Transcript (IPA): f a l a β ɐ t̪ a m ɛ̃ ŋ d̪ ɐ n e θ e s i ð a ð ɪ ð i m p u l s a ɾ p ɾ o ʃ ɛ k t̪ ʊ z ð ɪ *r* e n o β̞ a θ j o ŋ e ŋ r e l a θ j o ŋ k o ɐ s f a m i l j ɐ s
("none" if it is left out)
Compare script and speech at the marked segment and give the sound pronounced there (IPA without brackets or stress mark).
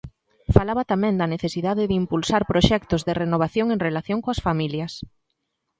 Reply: r